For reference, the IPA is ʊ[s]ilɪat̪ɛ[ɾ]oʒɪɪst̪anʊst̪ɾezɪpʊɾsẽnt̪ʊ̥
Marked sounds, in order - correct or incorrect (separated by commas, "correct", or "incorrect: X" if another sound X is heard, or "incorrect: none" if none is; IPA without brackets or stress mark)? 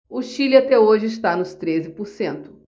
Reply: incorrect: ʃ, incorrect: none